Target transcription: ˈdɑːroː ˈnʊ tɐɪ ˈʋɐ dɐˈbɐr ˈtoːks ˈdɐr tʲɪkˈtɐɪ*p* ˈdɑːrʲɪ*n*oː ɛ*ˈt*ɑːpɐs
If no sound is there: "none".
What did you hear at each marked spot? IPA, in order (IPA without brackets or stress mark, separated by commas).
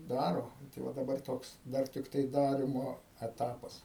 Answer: none, m, t